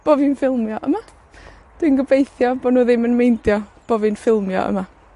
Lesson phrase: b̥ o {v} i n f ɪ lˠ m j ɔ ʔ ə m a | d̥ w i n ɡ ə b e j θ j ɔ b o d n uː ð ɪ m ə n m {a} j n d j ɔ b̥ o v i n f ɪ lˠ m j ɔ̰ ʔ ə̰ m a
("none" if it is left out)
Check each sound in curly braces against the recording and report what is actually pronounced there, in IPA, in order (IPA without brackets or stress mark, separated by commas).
v, e